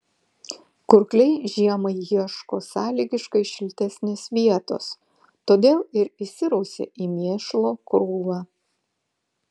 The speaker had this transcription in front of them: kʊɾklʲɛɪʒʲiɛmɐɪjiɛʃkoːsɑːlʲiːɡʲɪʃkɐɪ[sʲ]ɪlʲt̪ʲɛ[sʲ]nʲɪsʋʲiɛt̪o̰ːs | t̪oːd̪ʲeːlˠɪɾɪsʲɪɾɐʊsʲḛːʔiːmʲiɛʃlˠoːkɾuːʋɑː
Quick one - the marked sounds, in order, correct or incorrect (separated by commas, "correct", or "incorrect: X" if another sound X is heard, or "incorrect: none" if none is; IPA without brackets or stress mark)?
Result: incorrect: ʃʲ, correct